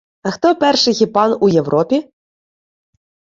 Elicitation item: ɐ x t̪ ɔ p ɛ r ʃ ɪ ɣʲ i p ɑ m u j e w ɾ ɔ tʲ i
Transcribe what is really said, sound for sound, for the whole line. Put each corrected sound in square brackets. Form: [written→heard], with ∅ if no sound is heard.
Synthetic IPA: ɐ x t̪ ɔ p ɛ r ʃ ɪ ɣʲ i p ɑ [m→n] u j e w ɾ ɔ [tʲ→pʲ] i